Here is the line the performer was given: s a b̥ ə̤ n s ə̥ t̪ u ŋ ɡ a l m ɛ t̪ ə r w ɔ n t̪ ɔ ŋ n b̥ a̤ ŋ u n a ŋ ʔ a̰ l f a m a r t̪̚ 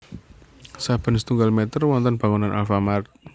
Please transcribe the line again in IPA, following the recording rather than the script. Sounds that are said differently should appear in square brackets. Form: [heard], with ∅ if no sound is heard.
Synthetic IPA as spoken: s a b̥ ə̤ n s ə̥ t̪ u ŋ ɡ a l m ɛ t̪ ə r w ɔ n t̪ ɔ [∅] n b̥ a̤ ŋ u n a [n] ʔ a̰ l f a m a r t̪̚